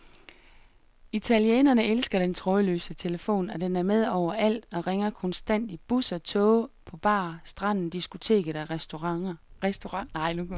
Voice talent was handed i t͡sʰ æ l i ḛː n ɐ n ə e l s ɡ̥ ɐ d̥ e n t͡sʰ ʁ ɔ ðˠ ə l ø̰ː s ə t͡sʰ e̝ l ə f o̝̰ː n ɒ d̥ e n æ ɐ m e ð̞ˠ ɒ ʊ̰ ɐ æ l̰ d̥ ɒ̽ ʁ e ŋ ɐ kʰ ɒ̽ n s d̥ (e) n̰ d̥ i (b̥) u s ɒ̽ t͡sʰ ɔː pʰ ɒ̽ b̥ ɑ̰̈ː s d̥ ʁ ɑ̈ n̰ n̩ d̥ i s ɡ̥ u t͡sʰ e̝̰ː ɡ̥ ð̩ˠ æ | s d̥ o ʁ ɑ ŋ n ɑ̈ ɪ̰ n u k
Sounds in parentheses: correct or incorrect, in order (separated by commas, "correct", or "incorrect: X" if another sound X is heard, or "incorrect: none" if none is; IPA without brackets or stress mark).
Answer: incorrect: æ, correct